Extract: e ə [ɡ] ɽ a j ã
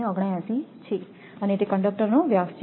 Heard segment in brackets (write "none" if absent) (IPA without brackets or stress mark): ɡ